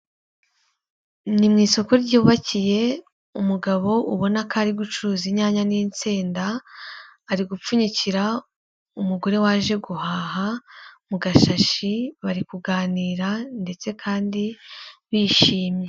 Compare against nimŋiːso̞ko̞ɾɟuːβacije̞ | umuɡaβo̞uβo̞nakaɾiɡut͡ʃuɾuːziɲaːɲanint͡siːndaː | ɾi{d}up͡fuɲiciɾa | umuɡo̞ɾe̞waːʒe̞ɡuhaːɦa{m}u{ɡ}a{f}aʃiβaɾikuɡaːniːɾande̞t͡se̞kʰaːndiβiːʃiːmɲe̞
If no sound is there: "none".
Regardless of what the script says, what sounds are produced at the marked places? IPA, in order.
ɡ, m, ɡ, ʃ

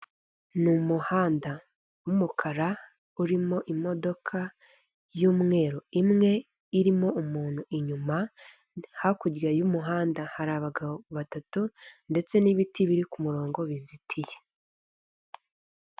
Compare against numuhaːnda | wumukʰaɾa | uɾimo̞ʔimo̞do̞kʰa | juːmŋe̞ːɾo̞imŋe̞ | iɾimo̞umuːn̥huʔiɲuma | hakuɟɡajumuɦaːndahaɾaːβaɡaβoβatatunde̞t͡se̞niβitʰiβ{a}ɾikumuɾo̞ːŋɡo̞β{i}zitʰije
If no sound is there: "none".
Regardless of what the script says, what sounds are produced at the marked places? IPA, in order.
i, i

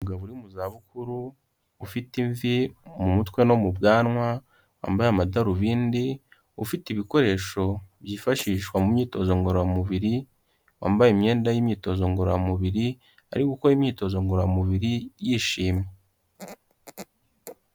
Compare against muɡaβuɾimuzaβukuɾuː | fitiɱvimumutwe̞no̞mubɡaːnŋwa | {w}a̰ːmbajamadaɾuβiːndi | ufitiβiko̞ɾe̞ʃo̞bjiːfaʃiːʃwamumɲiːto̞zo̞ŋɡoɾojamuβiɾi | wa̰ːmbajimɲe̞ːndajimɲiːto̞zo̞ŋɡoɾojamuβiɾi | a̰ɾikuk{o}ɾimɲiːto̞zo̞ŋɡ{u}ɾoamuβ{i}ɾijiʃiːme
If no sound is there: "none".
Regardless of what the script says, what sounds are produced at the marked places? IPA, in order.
w, o, o, i

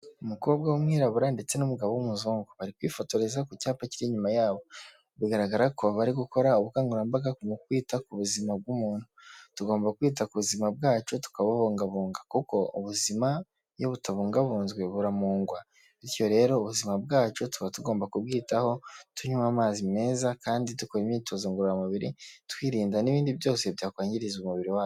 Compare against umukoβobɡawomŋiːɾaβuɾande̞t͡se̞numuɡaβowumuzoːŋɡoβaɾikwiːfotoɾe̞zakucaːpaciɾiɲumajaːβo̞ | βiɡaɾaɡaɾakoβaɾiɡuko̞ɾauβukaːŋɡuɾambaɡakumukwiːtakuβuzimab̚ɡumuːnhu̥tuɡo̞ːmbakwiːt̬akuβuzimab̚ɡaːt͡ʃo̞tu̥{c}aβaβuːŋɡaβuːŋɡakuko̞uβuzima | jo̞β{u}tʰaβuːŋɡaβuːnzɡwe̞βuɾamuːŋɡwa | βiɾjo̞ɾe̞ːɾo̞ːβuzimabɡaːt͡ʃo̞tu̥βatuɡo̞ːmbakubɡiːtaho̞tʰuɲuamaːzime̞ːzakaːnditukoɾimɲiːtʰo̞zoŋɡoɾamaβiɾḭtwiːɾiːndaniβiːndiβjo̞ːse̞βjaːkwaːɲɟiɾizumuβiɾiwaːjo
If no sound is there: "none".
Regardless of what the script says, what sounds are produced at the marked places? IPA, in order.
k, u

